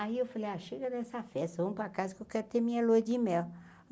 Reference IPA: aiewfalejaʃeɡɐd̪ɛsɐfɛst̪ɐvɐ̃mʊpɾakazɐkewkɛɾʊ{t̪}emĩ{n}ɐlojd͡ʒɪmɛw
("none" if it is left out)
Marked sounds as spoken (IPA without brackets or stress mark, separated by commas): t̪, ɲ